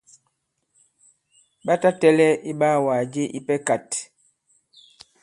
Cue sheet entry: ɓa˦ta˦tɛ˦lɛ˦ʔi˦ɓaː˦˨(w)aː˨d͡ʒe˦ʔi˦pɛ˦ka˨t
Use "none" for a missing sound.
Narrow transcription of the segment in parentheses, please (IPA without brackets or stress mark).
w